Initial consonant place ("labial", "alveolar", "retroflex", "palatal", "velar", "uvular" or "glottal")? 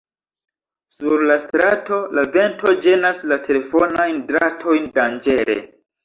alveolar